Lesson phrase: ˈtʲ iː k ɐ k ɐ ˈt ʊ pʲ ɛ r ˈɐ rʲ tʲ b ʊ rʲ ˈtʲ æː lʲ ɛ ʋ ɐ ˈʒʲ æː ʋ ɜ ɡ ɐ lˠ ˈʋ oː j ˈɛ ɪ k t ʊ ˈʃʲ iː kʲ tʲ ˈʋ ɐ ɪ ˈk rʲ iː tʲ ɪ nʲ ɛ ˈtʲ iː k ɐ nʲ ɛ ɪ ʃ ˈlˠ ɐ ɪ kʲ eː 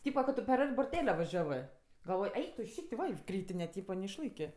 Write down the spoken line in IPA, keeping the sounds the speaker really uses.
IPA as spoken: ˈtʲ iː p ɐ k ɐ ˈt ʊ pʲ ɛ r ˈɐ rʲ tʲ b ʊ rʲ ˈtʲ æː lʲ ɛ ʋ ɐ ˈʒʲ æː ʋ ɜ ɡ ɐ lˠ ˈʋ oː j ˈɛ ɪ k t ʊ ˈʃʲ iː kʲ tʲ ˈʋ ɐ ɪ ˈk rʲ iː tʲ ɪ nʲ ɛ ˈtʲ iː p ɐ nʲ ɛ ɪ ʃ ˈlˠ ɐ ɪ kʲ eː